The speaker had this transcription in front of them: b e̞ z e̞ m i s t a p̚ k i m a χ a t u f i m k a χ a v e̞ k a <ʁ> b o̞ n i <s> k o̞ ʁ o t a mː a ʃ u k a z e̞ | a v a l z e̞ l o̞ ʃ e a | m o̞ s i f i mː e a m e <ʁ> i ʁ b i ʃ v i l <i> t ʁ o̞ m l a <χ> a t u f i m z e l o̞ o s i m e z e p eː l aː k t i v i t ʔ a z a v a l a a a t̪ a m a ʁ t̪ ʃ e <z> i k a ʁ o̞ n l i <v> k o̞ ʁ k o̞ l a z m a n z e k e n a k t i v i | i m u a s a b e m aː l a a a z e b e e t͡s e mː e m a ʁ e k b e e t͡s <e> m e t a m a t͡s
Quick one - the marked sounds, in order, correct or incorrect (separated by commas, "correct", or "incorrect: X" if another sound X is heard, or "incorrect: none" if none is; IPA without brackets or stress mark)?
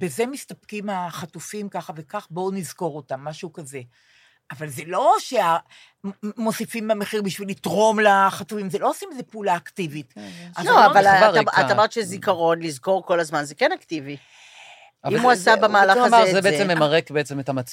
incorrect: χ, incorrect: z, incorrect: χ, correct, correct, correct, incorrect: z, correct